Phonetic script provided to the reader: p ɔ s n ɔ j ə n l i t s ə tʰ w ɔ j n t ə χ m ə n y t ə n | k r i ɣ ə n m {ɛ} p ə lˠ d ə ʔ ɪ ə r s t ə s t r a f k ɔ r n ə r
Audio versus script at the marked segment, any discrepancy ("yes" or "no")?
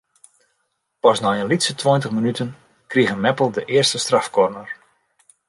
no